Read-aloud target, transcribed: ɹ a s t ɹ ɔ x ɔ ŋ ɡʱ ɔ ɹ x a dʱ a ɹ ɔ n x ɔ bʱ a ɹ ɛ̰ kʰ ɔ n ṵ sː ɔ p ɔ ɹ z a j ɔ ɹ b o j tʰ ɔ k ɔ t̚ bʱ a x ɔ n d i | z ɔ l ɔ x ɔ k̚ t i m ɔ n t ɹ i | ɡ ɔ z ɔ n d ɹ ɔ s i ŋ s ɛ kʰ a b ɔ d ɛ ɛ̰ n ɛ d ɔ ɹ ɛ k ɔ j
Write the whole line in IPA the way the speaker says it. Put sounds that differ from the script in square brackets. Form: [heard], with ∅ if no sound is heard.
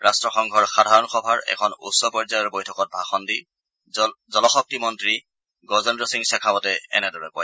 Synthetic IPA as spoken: ɹ a s t ɹ ɔ x ɔ ŋ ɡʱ ɔ ɹ x a dʱ a ɹ ɔ n x ɔ bʱ a ɹ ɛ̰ kʰ ɔ n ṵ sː ɔ p ɔ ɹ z a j ɔ ɹ b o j tʰ ɔ k ɔ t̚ bʱ a x ɔ n d i | z ɔ l ɔ x ɔ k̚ t i m ɔ n t ɹ i | ɡ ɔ z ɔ n d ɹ ɔ s i ŋ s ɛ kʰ a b ɔ [t] ɛ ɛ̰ n ɛ d ɔ ɹ ɛ k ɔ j

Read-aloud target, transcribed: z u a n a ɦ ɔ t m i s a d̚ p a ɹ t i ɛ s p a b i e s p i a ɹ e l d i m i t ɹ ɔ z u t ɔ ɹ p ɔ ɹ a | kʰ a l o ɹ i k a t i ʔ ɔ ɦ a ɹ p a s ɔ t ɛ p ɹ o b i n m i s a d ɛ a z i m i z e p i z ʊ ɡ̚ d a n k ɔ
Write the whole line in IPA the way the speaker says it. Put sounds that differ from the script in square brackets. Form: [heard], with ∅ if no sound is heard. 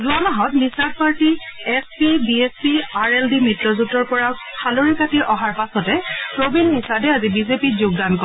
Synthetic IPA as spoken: z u a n a ɦ ɔ t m i s a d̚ p a ɹ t i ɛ s p [i] b i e s p i a ɹ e l d i m i t ɹ ɔ z u t ɔ ɹ p ɔ ɹ a | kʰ a l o ɹ i k a t i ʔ ɔ ɦ a ɹ p a s ɔ t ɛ p ɹ o b i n m i s a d ɛ a z i [b] i z e p i z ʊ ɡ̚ d a n k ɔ

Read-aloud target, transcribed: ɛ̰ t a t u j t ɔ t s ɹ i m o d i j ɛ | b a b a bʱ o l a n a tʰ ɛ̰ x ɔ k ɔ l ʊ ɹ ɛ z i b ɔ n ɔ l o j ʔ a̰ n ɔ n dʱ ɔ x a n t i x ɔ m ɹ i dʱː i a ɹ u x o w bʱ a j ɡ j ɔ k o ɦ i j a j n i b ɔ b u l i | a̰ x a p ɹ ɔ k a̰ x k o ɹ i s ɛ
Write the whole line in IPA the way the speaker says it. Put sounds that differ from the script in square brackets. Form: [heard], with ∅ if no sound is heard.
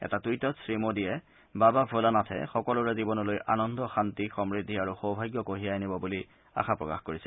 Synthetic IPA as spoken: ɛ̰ t a t u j t ɔ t s ɹ i m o d i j ɛ | b a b a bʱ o l a n a tʰ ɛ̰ x ɔ k ɔ l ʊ ɹ ɛ z i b ɔ n ɔ l o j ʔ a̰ n ɔ n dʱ ɔ x a n t i x ɔ m ɹ i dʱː i a ɹ u x o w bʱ a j ɡ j ɔ k o ɦ i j a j n i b ɔ b u l i | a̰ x a p ɹ ɔ k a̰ x k o ɹ i s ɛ

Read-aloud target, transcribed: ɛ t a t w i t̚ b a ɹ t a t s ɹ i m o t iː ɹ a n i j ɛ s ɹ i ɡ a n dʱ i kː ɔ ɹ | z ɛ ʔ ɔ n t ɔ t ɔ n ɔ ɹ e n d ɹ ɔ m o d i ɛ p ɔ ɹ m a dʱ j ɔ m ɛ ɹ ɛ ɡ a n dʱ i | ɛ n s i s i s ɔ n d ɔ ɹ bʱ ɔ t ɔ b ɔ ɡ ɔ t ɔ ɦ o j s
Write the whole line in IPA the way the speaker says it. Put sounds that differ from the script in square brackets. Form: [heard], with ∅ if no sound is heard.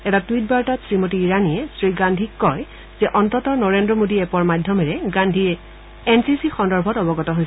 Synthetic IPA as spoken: ɛ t a t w i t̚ b a ɹ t a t s ɹ i m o t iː ɹ a n i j ɛ s ɹ i ɡ a n dʱ i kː ɔ ɹ | z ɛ ʔ ɔ n t ɔ t ɔ n ɔ ɹ e n d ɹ ɔ m o d i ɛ p ɔ ɹ m a dʱ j ɔ m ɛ ɹ ɛ ɡ a n dʱ i | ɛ n s i s i [x] ɔ n d ɔ ɹ bʱ ɔ t ɔ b ɔ ɡ ɔ t ɔ ɦ o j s

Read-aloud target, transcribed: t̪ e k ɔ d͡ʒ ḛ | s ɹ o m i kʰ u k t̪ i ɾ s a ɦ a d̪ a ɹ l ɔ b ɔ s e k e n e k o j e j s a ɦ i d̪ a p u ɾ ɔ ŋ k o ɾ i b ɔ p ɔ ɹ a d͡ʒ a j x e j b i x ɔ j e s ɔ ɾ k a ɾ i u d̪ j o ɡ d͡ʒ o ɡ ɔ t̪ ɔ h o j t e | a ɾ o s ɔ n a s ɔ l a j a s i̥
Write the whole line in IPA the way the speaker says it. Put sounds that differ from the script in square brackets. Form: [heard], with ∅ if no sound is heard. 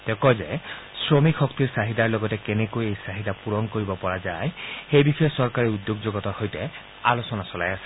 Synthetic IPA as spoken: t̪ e k ɔ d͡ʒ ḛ | s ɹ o m i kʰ [ɔ] k t̪ i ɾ s a ɦ [i] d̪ a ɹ l ɔ [ɡ] ɔ [t] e k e n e k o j e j s a ɦ i d̪ a p u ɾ ɔ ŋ k o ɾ i b ɔ p ɔ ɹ a d͡ʒ a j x e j b i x ɔ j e s ɔ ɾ k a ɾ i u d̪ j o ɡ d͡ʒ o ɡ ɔ t̪ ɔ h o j t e | a [l] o s ɔ n a s ɔ l a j a s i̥

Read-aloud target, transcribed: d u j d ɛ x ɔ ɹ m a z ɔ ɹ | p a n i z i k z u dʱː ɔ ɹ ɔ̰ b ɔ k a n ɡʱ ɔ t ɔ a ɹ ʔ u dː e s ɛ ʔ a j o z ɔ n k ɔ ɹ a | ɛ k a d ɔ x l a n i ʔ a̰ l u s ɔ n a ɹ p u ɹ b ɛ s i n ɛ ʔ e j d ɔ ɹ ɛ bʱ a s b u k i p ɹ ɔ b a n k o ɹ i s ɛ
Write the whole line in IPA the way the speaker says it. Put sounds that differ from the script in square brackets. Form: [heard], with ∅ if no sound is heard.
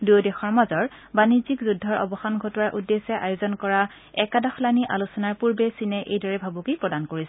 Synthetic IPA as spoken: d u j d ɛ x ɔ ɹ m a z ɔ ɹ | [b] a n i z i k z u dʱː ɔ ɹ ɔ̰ b ɔ [x] a n ɡʱ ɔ t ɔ a ɹ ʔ u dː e s ɛ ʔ a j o z ɔ n k ɔ ɹ a | ɛ k a d ɔ x l a n i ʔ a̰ l u s ɔ n a ɹ p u ɹ b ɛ s i n ɛ ʔ e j d ɔ ɹ ɛ bʱ a [∅] b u k i p ɹ ɔ [d] a n k o ɹ i s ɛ

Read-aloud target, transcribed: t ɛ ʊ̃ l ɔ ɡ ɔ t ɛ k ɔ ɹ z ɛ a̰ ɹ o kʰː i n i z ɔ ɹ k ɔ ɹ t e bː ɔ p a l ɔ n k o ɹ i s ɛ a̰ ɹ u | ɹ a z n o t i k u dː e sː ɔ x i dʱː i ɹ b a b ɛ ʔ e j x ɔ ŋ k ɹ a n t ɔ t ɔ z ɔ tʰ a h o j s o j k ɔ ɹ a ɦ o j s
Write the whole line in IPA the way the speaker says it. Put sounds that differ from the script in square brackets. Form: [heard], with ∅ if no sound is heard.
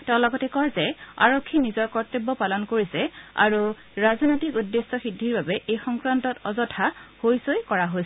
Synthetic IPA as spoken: t ɛ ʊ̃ l ɔ ɡ ɔ t ɛ k ɔ ɹ z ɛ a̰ ɹ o kʰː i n i z ɔ ɹ k ɔ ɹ t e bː ɔ p a l ɔ n k o ɹ i s ɛ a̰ ɹ u | ɹ a z n o t i k u dː e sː ɔ x i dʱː i ɹ b a b ɛ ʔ e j x ɔ ŋ k ɹ a n t ɔ t ɔ z ɔ tʰ a h o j s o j k ɔ ɹ a ɦ o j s

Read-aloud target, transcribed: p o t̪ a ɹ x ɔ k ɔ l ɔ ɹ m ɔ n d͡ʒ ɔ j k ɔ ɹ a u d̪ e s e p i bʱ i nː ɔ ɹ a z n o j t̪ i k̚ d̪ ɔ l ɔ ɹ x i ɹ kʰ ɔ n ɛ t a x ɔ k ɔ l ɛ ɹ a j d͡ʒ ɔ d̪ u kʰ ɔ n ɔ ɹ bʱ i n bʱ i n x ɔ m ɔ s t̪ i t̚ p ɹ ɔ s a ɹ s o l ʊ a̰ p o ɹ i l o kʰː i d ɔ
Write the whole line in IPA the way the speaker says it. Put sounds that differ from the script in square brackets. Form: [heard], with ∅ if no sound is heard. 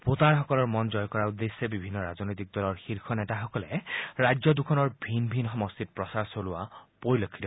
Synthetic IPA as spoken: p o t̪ a ɹ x ɔ k ɔ l ɔ ɹ m ɔ n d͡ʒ ɔ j k ɔ ɹ a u d̪ e s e [b] i bʱ i nː ɔ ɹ a z n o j t̪ i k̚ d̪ ɔ l ɔ ɹ x i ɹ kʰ ɔ n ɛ t a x ɔ k ɔ l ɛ ɹ a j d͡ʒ ɔ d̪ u kʰ ɔ n ɔ ɹ bʱ i n bʱ i n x ɔ m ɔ s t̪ i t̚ p ɹ ɔ s a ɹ s o l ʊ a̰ p o ɹ i l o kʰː i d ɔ

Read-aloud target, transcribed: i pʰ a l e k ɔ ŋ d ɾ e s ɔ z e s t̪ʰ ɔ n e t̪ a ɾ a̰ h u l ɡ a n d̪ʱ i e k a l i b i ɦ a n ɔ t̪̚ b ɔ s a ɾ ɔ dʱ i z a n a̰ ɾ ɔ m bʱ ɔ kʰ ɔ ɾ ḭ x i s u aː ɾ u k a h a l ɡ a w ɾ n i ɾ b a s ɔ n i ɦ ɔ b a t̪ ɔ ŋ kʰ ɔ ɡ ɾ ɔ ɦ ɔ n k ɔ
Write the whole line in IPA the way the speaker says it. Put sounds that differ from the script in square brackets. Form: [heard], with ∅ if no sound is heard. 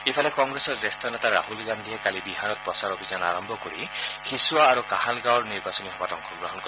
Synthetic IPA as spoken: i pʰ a l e k ɔ ŋ [ɡ] ɾ e s ɔ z e s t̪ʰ ɔ n e t̪ a ɾ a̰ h u l ɡ a n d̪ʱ i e k a l i b i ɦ a n ɔ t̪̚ [p] ɔ s a ɾ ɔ [bʱ] i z a n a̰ ɾ ɔ m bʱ ɔ [k] ɔ ɾ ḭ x i s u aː ɾ u k a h a l ɡ a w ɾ n i ɾ b a s ɔ n i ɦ ɔ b a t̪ ɔ ŋ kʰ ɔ ɡ ɾ ɔ ɦ ɔ n k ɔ

